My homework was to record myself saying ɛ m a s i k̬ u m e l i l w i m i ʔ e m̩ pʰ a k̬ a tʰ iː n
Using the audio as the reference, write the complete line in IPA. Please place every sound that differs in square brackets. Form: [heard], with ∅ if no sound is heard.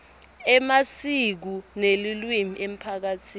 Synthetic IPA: ɛ m a s i k̬ u [n] e l i l w i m i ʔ e m̩ pʰ a k̬ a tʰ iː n